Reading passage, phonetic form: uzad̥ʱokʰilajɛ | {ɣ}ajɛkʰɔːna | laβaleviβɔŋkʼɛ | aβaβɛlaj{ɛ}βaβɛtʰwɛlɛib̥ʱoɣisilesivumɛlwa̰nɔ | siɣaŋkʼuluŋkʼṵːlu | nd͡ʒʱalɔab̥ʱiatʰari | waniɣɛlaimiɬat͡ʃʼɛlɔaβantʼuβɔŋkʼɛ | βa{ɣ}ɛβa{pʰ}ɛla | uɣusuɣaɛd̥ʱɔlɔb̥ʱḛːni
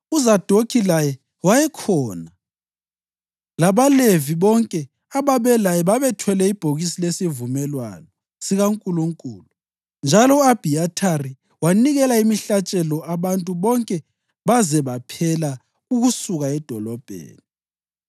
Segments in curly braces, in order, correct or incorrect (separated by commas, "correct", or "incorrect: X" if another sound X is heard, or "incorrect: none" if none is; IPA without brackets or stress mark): incorrect: w, correct, incorrect: z, correct